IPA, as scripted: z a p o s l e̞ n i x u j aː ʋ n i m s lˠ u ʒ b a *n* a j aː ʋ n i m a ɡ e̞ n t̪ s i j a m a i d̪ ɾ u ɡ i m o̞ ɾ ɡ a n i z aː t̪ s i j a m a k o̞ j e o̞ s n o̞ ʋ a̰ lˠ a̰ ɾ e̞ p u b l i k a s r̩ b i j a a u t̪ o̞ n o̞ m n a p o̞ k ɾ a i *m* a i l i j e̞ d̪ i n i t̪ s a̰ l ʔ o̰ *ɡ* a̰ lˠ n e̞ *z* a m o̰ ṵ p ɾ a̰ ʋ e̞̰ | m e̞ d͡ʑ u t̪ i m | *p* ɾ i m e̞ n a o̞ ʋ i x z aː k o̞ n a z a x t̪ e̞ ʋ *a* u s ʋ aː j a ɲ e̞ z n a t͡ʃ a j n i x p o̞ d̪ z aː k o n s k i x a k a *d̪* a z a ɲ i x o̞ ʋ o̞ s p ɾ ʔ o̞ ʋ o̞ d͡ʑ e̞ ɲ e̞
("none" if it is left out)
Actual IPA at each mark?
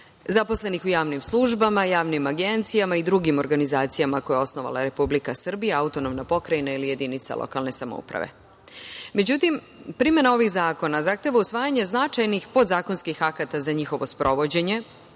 m, n, k, s, p, a, t̪

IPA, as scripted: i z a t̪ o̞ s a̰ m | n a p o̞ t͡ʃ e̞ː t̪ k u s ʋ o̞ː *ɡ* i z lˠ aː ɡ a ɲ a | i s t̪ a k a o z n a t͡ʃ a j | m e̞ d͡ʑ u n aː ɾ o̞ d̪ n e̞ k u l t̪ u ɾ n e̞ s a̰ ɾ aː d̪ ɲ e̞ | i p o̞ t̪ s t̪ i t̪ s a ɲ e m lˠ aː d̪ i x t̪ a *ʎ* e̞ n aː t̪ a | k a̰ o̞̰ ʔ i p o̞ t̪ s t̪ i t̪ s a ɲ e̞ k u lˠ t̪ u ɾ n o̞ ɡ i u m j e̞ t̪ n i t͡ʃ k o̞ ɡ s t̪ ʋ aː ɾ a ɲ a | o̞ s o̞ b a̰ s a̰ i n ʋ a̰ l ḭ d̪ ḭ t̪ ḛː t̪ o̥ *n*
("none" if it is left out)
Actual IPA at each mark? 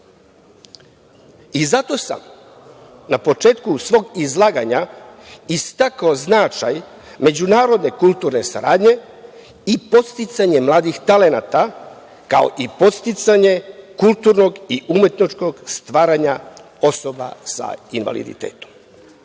ɡ, l, m

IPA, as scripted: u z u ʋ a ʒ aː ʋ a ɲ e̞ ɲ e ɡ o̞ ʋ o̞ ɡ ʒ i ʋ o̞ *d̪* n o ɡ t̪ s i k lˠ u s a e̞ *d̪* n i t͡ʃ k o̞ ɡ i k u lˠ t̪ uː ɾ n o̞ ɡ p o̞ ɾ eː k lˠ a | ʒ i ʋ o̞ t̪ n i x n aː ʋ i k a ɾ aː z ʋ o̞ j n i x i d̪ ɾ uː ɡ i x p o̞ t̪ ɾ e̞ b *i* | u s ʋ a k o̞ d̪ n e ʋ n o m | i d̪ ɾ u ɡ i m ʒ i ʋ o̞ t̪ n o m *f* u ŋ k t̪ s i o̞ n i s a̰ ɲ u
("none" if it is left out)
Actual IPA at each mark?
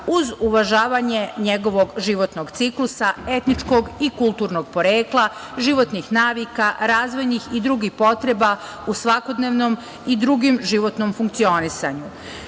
t̪, t̪, a, f

